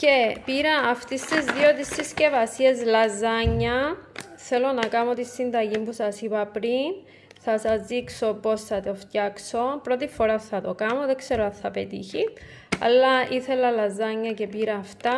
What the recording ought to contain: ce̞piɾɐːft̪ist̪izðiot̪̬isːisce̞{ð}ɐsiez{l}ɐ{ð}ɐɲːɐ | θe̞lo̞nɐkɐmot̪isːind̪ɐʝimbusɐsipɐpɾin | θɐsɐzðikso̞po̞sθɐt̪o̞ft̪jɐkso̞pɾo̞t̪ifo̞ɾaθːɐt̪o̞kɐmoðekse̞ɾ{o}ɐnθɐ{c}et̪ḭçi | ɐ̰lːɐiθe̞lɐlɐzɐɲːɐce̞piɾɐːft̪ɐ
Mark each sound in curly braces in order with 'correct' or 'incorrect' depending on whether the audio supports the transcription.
incorrect, correct, incorrect, correct, incorrect

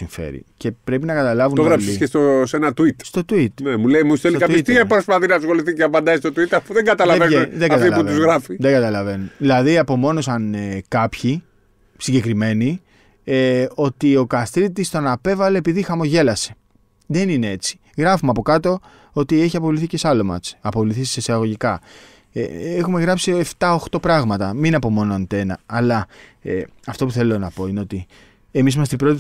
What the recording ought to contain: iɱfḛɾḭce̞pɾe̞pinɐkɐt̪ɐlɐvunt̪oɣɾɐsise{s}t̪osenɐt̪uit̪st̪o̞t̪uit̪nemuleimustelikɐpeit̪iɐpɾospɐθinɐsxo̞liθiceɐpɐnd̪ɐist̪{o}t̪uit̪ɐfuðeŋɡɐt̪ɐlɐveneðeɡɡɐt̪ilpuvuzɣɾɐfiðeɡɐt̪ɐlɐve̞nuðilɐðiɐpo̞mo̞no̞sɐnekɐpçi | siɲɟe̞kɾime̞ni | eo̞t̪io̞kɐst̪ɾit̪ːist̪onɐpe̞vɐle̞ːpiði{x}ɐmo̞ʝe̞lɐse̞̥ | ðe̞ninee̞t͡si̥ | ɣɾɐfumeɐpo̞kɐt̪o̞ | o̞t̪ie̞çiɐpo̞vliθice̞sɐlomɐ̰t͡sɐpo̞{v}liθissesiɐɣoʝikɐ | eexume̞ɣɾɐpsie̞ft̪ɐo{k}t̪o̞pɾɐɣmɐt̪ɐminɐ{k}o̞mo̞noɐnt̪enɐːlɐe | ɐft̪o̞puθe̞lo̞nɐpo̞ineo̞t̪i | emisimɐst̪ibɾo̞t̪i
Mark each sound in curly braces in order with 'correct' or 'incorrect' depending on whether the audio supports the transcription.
correct, correct, correct, correct, incorrect, incorrect

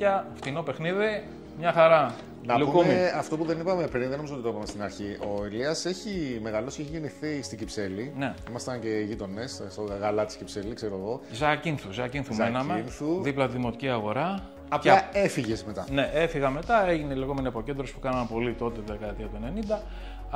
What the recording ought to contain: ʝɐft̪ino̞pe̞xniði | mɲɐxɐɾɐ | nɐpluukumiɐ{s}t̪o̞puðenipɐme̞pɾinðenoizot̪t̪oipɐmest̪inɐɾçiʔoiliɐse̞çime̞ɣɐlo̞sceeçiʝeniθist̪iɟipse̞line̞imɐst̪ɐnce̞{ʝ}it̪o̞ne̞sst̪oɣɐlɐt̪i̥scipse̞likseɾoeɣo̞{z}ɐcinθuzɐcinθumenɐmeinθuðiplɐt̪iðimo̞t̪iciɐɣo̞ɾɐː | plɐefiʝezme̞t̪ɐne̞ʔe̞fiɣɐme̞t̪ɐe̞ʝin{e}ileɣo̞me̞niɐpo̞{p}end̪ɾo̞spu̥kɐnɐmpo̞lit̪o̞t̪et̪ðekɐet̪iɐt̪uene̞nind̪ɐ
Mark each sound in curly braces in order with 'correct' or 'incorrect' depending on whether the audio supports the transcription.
incorrect, correct, correct, correct, incorrect

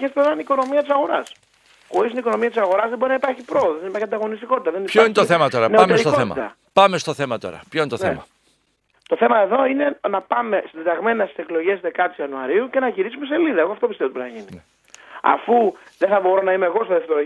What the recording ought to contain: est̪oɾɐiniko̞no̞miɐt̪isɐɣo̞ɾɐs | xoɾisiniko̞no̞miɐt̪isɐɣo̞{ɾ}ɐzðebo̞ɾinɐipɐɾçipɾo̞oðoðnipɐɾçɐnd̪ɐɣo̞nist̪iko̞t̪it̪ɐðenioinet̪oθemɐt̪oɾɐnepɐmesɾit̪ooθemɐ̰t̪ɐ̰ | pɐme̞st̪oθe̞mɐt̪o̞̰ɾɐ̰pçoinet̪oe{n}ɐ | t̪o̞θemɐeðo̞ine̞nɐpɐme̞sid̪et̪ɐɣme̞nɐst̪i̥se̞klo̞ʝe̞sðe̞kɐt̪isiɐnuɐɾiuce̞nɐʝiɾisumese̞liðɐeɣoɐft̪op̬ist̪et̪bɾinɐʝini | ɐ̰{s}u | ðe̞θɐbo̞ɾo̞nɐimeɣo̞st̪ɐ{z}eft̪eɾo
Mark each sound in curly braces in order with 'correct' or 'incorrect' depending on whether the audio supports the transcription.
correct, incorrect, incorrect, incorrect

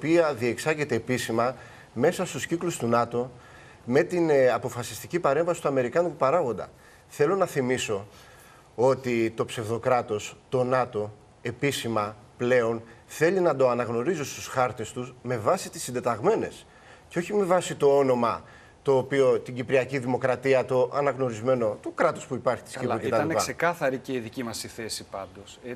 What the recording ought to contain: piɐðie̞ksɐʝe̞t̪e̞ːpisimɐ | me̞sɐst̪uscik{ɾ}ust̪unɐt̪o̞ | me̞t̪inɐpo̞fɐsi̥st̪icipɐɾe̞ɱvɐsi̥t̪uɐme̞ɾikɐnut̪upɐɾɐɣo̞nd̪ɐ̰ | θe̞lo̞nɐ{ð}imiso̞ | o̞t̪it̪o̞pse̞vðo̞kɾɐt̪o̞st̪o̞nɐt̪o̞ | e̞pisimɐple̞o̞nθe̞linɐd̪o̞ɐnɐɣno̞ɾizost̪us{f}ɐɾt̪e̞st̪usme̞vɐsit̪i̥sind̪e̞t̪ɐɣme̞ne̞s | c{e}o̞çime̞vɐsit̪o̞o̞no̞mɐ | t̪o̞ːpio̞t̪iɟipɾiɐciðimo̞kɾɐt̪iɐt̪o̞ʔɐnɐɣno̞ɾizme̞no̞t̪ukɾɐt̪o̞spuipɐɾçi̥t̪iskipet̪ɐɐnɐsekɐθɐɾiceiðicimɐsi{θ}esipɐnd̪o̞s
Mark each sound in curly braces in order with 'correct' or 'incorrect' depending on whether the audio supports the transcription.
incorrect, incorrect, incorrect, correct, correct

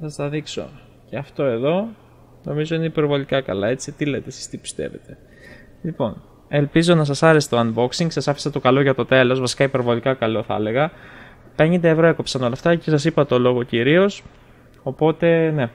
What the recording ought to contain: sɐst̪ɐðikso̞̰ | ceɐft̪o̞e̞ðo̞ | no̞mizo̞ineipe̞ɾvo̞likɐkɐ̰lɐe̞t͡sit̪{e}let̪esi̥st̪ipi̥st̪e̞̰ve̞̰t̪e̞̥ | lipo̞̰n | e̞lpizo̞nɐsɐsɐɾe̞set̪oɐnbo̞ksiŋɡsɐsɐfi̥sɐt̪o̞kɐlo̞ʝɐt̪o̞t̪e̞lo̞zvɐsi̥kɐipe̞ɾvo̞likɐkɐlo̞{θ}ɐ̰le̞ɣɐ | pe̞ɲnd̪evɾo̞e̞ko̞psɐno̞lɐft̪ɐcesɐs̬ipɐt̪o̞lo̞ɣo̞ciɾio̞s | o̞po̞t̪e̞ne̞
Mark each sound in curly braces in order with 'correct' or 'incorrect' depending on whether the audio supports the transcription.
incorrect, correct

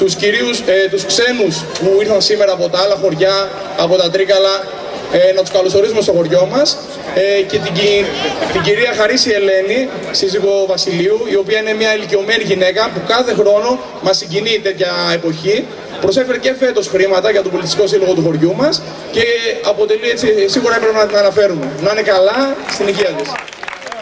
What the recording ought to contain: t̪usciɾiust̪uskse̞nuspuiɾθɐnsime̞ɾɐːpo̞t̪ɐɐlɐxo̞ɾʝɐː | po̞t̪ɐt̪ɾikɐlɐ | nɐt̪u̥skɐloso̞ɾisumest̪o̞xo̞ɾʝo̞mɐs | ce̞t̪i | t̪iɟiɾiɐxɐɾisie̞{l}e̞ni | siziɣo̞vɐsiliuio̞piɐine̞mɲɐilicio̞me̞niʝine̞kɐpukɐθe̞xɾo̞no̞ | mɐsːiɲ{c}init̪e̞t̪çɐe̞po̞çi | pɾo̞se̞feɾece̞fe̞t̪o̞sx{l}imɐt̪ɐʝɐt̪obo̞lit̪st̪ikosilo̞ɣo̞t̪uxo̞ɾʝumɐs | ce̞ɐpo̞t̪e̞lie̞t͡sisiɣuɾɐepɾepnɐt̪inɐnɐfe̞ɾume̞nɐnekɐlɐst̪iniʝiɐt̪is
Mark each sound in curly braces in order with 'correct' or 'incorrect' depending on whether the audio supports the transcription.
correct, incorrect, incorrect

